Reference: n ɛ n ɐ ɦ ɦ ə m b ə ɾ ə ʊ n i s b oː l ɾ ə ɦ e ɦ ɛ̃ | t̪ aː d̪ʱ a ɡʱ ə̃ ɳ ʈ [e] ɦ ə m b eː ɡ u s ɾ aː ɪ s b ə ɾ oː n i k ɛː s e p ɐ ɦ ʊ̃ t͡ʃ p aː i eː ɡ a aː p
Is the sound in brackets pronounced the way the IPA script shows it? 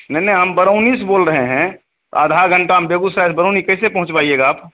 no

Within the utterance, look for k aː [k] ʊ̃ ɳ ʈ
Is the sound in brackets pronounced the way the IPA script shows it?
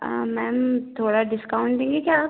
no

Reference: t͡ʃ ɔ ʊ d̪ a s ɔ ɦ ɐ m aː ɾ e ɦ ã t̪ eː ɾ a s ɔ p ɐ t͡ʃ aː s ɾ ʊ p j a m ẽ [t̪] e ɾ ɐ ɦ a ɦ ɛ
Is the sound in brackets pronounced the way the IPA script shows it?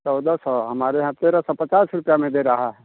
no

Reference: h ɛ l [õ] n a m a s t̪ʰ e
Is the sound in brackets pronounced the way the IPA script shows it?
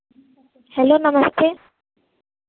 no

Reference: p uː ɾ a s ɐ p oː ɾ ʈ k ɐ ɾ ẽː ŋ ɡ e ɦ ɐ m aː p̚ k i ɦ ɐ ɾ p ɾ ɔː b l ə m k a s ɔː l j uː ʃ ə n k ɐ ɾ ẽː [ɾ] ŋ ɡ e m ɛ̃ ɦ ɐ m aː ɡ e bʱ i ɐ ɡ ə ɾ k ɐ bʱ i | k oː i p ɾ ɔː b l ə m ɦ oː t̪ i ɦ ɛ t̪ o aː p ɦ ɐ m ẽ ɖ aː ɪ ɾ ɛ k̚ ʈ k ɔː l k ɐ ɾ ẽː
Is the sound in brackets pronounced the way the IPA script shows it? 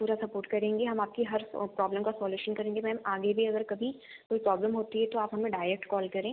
no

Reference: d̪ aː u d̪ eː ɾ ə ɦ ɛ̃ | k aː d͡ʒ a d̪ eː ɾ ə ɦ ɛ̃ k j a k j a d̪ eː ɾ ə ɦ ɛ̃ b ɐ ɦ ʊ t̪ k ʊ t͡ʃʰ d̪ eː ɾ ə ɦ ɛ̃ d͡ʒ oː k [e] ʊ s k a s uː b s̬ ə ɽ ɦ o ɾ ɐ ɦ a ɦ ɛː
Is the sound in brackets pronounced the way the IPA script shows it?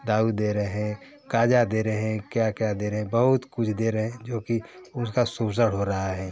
no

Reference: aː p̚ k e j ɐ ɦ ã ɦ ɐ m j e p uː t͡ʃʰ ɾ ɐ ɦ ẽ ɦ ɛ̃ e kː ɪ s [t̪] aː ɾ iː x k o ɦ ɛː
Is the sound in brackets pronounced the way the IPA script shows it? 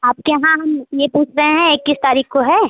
yes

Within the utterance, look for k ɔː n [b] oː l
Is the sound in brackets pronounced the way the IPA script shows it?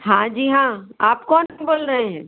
yes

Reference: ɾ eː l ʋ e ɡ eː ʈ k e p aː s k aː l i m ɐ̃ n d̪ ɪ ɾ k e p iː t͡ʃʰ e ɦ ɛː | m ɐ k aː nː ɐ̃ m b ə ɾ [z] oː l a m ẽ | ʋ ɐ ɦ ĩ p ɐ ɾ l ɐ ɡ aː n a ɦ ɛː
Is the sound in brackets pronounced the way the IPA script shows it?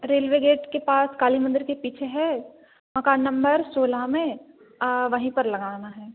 no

